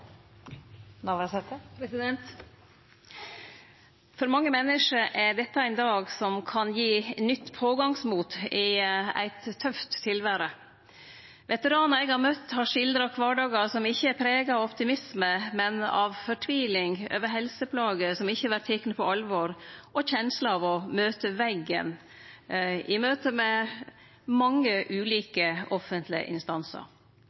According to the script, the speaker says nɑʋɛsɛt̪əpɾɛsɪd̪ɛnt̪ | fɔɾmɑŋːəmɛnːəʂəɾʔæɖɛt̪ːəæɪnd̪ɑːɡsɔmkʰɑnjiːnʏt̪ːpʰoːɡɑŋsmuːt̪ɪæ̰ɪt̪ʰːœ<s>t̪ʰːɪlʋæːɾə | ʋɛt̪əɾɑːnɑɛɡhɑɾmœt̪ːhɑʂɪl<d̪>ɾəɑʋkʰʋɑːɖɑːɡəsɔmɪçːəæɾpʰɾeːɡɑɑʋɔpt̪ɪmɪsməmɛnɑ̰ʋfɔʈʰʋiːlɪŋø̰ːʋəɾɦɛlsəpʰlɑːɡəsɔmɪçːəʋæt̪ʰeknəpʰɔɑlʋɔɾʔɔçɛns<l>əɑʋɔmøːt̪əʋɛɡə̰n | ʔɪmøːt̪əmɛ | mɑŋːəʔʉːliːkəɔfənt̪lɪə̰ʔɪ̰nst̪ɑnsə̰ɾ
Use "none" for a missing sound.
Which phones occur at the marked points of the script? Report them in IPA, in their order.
f, d̪, l

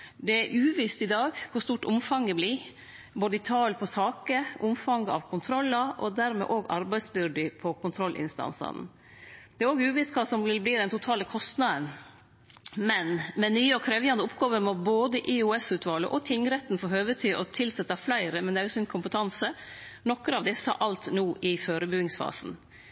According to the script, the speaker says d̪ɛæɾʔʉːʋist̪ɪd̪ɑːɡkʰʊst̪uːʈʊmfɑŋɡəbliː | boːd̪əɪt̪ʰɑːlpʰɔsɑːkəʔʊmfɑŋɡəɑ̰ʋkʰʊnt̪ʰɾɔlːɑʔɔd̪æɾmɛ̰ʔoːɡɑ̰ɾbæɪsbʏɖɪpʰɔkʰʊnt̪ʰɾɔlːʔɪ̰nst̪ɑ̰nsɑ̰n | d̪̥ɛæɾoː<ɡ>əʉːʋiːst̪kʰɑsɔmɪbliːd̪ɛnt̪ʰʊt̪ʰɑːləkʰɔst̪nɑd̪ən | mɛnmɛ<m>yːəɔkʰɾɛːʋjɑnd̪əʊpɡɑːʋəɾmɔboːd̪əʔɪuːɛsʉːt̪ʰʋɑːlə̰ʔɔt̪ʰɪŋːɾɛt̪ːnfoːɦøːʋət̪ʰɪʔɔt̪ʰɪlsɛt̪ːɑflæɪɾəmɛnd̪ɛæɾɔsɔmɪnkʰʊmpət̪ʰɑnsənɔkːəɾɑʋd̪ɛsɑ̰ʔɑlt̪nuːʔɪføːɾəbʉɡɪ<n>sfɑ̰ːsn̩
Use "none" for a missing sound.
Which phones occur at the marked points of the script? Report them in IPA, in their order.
ɡ, n, ŋ

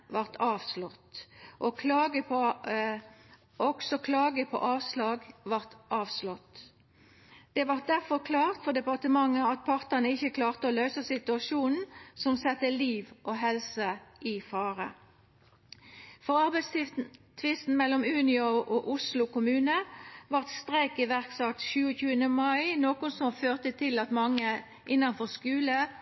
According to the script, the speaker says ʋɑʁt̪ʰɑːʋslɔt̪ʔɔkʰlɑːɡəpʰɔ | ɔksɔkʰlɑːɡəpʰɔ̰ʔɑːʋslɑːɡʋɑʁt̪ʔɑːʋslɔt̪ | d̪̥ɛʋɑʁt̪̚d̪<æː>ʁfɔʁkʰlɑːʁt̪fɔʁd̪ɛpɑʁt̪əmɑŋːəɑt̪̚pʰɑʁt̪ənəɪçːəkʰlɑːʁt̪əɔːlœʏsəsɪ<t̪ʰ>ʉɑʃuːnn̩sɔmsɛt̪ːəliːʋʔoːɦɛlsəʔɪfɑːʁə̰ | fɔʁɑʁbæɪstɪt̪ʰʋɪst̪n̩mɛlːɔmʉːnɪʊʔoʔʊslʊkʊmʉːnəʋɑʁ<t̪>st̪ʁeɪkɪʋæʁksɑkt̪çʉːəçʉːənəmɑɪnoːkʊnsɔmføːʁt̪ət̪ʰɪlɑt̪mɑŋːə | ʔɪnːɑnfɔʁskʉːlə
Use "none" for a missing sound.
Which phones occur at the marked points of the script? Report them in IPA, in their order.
æ, t̪, t̪

